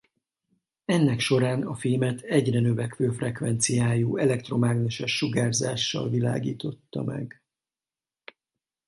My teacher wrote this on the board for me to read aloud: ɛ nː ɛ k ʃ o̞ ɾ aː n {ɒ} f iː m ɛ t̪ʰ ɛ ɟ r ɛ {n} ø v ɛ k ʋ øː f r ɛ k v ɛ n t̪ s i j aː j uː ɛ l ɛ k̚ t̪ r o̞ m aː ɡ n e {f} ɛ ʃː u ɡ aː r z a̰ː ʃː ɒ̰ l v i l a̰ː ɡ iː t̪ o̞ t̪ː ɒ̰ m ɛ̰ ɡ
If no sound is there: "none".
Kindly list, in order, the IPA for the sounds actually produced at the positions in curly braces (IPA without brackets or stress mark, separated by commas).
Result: ɒ, n, ʃ